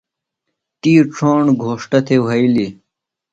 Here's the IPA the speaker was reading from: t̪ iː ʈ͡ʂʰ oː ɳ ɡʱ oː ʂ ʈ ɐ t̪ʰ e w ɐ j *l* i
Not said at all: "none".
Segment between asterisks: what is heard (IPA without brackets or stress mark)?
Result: l